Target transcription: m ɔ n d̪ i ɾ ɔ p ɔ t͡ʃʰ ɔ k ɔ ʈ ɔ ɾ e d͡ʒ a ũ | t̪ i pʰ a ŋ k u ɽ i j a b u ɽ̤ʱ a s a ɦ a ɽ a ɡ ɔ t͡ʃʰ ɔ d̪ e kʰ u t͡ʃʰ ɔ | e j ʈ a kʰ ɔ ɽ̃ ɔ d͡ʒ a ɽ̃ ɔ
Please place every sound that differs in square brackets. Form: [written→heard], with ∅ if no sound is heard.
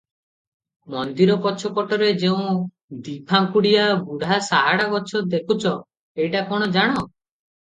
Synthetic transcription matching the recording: m ɔ n d̪ i ɾ ɔ p ɔ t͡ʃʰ ɔ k ɔ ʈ ɔ ɾ e d͡ʒ [a→e] ũ | [t̪→d̪] i pʰ a ŋ k u ɽ i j a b u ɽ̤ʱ a s a ɦ a ɽ a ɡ ɔ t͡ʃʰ ɔ d̪ e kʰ u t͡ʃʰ ɔ | e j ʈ a [kʰ→k] ɔ ɽ̃ ɔ d͡ʒ a ɽ̃ ɔ